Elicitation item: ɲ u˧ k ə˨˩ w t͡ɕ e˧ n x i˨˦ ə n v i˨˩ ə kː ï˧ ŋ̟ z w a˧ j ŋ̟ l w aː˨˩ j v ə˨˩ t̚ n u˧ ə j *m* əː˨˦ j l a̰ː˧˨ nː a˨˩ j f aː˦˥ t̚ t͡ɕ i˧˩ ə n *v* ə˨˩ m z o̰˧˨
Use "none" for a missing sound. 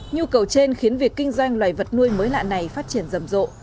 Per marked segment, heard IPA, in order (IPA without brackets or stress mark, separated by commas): m, z